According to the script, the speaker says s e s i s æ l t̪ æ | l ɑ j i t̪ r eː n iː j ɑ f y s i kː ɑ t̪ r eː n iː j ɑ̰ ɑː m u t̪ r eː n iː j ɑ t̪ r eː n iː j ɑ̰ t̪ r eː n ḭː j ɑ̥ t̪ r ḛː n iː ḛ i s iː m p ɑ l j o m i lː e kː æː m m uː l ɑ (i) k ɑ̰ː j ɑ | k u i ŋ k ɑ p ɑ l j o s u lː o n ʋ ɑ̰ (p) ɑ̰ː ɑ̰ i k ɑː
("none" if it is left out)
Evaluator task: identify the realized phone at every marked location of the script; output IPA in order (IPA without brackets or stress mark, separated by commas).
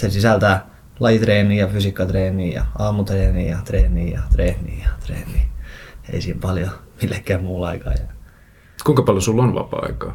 i, p